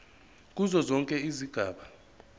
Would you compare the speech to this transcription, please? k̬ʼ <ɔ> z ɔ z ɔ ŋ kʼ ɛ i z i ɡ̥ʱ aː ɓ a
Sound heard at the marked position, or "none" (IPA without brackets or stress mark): u